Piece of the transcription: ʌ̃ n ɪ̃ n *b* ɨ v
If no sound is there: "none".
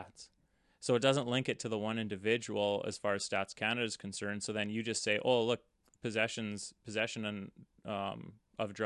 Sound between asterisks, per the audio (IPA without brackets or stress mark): d